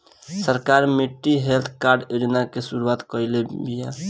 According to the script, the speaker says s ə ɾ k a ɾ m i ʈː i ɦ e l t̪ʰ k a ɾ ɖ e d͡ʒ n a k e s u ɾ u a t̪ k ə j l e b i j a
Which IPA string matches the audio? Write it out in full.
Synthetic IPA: s ə ɾ k a ɾ m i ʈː i ɦ e l t̪ʰ k a ɾ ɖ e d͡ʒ n a k e s u ɾ u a t̪ k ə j l e b i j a